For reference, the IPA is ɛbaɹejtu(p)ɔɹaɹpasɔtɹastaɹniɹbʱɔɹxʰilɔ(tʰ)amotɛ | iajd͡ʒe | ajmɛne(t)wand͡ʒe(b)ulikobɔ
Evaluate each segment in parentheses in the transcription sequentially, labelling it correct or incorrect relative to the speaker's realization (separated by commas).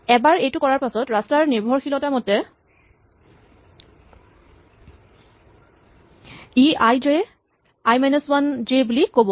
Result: incorrect, incorrect, incorrect, correct